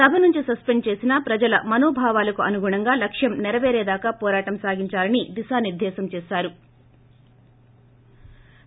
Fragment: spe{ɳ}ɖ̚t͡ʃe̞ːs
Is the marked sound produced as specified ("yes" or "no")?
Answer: yes